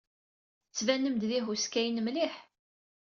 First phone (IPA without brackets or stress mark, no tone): t͡sː